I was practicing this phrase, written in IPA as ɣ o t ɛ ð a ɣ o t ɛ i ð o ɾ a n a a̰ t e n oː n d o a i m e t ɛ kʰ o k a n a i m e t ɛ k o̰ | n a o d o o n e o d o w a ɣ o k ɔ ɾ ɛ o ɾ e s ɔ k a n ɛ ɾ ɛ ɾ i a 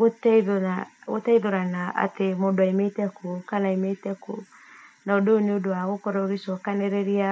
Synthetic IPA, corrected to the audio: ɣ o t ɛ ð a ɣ o t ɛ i ð o ɾ a n a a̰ t e m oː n d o a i m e t ɛ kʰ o k a n a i m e t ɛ k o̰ | n a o d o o n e o d o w a ɣ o k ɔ ɾ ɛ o ɾ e s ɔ k a n ɛ ɾ ɛ ɾ i a

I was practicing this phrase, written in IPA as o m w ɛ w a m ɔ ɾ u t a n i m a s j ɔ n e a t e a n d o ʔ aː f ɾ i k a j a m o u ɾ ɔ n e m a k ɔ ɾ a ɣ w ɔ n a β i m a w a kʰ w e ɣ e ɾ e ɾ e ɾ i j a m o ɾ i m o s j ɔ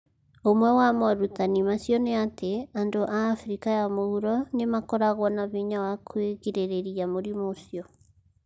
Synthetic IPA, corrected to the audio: o m w ɛ w a m ɔ ɾ u t a n i m a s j ɔ n e a t e a n d o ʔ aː f ɾ i k a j a m o u ɾ ɔ n e m a k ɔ ɾ a ɣ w ɔ n a β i ɲ a w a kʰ w e ɣ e ɾ e ɾ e ɾ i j a m o ɾ i m o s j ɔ

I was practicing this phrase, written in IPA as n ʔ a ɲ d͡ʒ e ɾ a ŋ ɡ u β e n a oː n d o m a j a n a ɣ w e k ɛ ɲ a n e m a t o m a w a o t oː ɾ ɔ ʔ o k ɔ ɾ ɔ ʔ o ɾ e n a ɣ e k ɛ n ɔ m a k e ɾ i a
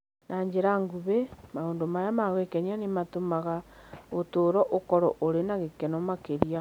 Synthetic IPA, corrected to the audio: n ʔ a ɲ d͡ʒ e ɾ a ŋ ɡ u β e m a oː n d o m a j a m a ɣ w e k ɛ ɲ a n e m a t o m a ɣ a o t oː ɾ ɔ ʔ o k ɔ ɾ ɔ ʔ o ɾ e n a ɣ e k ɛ n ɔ m a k e ɾ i a

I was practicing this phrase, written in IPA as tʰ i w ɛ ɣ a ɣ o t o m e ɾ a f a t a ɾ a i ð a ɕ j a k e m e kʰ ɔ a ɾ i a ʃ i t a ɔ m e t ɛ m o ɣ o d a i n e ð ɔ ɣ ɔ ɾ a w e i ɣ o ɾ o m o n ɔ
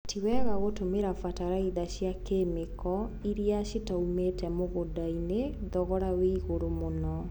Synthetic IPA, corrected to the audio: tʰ i w ɛ ɣ a ɣ o t o m e ɾ a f a t a ɾ a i ð a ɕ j a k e m e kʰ ɔ i ɾ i a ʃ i t a u m e t ɛ m o ɣ o d a i n e ð ɔ ɣ ɔ ɾ a w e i ɣ o ɾ o m o n ɔ

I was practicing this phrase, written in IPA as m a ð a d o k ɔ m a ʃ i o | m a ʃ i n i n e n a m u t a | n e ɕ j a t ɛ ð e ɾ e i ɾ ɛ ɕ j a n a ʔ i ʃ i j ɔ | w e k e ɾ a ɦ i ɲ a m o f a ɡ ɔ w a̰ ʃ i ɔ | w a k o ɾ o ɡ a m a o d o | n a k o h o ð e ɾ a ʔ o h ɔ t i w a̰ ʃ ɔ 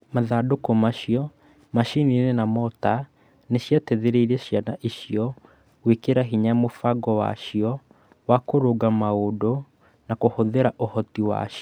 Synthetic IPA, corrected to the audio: m a ð a d o k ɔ m a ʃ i ɔ | m a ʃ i n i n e n a m ɔ t a | n e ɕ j a t ɛ ð e ɾ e i ɾ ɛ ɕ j a n a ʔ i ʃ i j ɔ | w e k e ɾ a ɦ i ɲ a m o f a ɡ ɔ w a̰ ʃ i ɔ | w a k o ɾ o ɡ a m a o d o | n a k o h o ð e ɾ a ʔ o h ɔ t i w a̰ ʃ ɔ

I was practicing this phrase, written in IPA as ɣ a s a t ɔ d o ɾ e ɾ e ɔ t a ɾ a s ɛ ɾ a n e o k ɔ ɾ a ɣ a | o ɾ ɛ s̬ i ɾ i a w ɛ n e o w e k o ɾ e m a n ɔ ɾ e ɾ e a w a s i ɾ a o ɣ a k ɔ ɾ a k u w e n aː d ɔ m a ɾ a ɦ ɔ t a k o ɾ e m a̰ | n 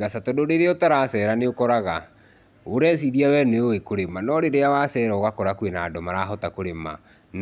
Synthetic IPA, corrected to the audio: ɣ a s a t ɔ d o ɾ e ɾ e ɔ t a ɾ a s ɛ ɾ a n e o k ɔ ɾ a ɣ a | o ɾ ɛ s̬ i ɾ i a w ɛ n e o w e k o ɾ e m a n ɔ ɾ e ɾ e a w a s ɛ ɾ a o ɣ a k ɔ ɾ a k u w e n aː d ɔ m a ɾ a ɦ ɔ t a k o ɾ e m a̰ | n

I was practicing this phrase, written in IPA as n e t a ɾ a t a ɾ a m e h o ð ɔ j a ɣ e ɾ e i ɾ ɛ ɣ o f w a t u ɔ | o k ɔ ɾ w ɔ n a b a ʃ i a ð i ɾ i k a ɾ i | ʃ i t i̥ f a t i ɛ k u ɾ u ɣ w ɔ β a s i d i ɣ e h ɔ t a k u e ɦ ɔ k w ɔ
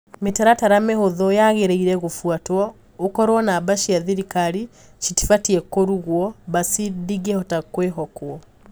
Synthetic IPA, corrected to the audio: m e t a ɾ a t a ɾ a m e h o ð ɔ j a ɣ e ɾ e i ɾ ɛ ɣ o f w a t w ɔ | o k ɔ ɾ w ɔ n a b a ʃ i a ð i ɾ i k a ɾ i | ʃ i t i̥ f a t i ɛ k o ɾ u ɣ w ɔ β a s i d i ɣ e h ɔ t a k w e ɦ ɔ k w ɔ

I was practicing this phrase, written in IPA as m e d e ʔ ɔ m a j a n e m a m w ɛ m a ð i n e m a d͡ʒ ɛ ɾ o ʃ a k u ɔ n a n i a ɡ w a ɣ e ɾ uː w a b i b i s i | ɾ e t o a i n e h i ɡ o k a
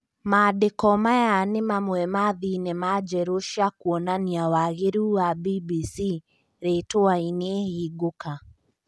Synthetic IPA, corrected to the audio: m a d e k ɔ m a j a n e m a m w ɛ m a ð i n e m a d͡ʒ ɛ ɾ o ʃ a k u ɔ n a n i a w a ɣ e ɾ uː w a b i b i s i | ɾ e t o a i n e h i ɡ o k a

